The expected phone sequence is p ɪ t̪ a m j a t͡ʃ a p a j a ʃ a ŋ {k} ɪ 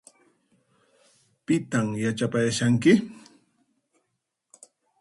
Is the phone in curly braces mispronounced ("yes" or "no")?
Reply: no